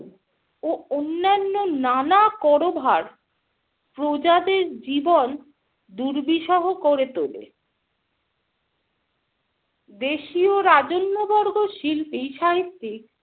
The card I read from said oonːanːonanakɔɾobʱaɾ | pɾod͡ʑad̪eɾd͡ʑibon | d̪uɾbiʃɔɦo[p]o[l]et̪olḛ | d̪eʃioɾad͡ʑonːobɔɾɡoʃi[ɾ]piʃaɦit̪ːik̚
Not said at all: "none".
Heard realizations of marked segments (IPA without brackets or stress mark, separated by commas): k, ɾ, l